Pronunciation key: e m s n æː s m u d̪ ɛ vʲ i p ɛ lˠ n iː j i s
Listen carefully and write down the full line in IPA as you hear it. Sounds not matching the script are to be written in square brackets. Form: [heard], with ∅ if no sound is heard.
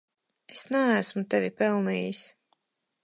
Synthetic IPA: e [∅] s n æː s m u [t̪] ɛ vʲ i p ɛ lˠ n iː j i s